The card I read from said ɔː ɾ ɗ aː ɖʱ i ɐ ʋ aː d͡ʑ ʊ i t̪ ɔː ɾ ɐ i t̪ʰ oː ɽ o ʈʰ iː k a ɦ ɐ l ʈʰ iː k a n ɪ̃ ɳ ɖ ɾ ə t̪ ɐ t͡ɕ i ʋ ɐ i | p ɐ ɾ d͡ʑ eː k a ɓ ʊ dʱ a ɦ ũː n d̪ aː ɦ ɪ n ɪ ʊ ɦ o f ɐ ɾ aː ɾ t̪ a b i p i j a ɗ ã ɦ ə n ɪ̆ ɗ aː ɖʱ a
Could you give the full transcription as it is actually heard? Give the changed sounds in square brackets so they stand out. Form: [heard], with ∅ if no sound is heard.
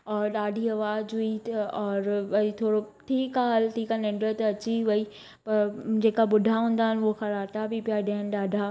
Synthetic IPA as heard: ɔː ɾ ɗ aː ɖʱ i ɐ ʋ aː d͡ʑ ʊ i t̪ ɔː ɾ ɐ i t̪ʰ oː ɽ o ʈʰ iː k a ɦ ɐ l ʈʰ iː k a n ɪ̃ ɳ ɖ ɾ ə t̪ ɐ t͡ɕ i ʋ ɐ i | p ɐ ɾ d͡ʑ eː k a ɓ ʊ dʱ a ɦ ũː n d̪ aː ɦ ɪ n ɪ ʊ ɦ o [x] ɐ ɾ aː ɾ t̪ a b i p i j a ɗ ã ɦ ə n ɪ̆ ɗ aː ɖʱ a